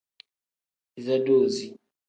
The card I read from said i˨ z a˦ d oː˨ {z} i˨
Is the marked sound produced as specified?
yes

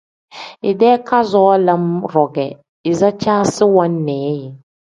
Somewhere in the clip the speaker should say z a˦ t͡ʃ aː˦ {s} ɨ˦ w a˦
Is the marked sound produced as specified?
yes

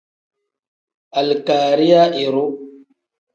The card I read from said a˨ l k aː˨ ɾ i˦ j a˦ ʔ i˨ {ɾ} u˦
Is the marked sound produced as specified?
yes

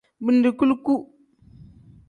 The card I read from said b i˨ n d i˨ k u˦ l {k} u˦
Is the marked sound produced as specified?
yes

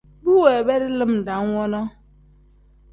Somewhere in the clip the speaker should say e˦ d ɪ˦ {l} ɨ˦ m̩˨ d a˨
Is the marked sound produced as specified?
yes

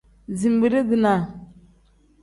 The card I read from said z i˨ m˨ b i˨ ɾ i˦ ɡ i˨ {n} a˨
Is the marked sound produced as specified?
yes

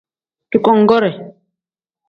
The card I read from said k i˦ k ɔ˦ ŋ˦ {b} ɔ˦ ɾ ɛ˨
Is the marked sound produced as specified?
no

